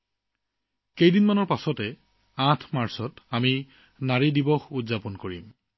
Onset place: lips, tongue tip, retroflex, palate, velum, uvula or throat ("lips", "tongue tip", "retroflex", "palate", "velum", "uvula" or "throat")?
velum